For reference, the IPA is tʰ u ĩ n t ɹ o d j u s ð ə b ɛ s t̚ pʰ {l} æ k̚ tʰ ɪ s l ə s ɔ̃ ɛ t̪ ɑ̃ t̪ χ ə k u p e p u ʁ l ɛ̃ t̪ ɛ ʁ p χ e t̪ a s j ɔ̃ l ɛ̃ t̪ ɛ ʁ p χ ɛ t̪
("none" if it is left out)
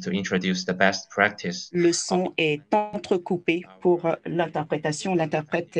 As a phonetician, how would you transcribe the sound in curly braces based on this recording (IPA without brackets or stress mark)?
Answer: ɹ